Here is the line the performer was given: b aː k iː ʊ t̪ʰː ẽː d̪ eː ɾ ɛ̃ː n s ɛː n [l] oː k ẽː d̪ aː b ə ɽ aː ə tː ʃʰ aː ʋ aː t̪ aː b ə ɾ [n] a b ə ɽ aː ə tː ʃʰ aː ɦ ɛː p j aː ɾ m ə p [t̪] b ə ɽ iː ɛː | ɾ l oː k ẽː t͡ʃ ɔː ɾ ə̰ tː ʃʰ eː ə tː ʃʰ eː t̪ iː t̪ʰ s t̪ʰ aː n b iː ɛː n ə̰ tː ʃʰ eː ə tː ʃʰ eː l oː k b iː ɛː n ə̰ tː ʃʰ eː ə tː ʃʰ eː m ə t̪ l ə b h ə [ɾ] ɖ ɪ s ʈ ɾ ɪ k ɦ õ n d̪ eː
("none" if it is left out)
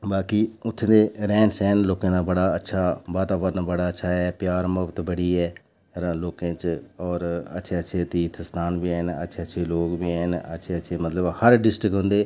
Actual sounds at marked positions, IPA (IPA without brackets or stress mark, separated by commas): l, n, t̪, ɾ